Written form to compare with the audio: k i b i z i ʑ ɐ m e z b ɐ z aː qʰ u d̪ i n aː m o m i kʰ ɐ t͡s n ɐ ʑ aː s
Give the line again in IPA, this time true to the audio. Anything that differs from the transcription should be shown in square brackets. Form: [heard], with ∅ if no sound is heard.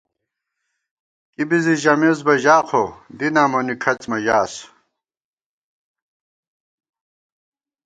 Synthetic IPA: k i b i z i ʑ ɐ m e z b ɐ [ʑ] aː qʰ [o] d̪ i n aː m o [n] i kʰ ɐ t͡s [m] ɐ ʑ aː s

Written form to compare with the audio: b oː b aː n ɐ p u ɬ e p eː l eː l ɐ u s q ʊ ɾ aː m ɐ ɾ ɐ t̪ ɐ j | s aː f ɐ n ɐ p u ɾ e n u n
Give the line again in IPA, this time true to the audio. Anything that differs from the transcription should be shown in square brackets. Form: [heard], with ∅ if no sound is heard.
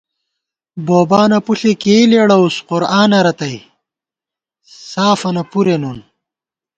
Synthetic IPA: b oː b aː n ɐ p u ɬ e [k] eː l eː [ɽ] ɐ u s q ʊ ɾ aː [n] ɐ ɾ ɐ t̪ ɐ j | s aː f ɐ n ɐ p u ɾ e n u n

